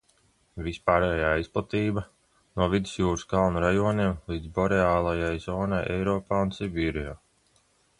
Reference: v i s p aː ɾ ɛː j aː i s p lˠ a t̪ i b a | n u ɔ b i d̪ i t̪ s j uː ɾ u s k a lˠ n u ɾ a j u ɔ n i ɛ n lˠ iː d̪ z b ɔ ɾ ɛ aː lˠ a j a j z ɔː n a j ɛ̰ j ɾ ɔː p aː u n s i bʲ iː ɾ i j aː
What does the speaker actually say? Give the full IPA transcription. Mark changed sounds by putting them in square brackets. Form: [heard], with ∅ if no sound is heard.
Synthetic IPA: v i s p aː ɾ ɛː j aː i s p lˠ a t̪ [iː] b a | n u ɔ [v] i d̪ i [∅] s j uː ɾ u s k a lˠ n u ɾ a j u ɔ n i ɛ [m] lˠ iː d̪ z b ɔ ɾ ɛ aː lˠ a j a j z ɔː n a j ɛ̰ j ɾ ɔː p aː u n s i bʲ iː ɾ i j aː